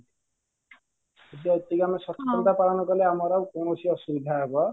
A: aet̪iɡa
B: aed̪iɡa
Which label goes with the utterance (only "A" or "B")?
A